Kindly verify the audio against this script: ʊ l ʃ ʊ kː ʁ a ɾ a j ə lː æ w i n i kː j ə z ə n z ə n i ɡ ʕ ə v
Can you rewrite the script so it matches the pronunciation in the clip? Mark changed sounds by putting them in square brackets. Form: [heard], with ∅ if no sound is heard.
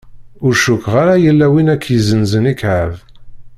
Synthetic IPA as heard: ʊ [ɾ] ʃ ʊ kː ʁ a ɾ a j ə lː æ w i n [æ] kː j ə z ə n z ə n i [k] ʕ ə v